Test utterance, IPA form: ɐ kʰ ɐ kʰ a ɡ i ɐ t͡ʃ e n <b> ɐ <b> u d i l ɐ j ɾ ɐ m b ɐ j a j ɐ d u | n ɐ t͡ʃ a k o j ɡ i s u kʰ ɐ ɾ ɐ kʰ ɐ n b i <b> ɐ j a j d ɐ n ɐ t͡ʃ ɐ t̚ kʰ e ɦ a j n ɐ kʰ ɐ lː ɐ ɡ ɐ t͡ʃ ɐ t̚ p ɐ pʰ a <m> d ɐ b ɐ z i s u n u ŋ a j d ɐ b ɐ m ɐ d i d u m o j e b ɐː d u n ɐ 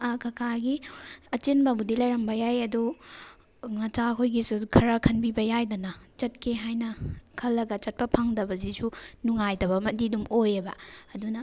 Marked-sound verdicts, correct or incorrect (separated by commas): correct, correct, correct, incorrect